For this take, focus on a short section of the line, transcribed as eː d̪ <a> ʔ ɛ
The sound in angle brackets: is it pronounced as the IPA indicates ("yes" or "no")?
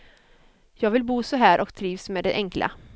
no